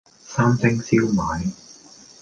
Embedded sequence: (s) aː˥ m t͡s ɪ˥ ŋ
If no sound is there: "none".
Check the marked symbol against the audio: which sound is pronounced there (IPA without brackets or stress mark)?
s